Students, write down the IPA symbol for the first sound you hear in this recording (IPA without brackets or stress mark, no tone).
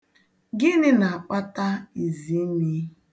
ɡ